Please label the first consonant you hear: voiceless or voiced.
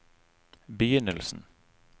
voiced